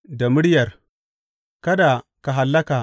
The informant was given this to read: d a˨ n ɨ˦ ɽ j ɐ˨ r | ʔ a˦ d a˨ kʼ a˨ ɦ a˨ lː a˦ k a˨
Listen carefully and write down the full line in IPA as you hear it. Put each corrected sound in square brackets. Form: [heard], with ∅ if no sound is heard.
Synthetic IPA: d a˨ [m] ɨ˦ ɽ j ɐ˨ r | [k] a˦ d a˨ [k] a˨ ɦ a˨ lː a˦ k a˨